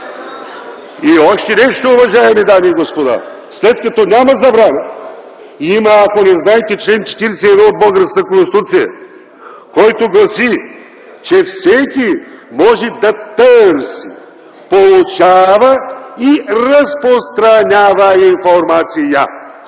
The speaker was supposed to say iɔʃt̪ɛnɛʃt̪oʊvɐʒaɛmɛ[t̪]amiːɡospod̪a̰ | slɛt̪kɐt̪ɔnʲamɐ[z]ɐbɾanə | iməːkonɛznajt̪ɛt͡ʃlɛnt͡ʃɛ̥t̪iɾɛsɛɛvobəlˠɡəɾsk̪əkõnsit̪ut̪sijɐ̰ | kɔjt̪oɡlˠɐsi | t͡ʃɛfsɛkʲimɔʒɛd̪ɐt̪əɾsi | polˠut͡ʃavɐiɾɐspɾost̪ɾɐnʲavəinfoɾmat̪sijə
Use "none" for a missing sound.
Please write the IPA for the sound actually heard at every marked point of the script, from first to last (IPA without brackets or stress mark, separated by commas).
d̪, z